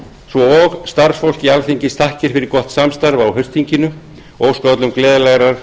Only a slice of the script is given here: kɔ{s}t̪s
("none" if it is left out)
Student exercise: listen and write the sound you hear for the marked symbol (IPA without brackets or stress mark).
h